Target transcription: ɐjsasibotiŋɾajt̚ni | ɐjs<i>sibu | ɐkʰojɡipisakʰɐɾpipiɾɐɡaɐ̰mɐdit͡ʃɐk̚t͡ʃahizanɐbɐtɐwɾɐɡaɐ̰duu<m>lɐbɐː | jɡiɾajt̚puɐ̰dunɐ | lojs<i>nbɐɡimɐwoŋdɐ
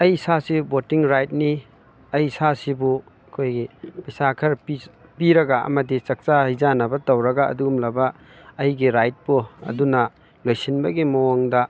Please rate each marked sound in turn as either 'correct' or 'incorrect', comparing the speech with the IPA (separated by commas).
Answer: incorrect, correct, correct